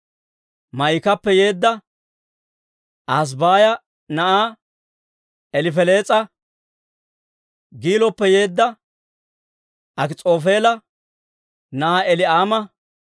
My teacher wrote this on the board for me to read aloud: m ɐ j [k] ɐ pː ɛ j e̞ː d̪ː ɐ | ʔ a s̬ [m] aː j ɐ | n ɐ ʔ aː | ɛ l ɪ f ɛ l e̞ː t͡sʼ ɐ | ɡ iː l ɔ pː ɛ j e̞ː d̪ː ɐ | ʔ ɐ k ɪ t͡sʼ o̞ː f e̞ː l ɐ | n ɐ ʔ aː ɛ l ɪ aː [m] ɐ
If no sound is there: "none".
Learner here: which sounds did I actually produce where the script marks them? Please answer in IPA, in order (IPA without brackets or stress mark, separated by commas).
k, b, m